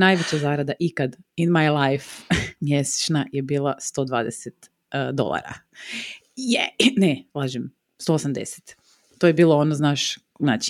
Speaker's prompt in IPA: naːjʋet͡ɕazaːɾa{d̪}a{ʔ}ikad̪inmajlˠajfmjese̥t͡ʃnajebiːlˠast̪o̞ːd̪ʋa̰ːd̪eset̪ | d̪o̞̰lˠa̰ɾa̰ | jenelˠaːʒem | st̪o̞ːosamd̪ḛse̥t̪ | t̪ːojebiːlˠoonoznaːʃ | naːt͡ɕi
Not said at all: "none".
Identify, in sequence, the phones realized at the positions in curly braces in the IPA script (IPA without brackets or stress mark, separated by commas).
d̪, ʔ